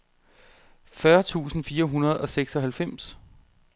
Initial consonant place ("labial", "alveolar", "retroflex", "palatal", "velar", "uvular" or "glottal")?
labial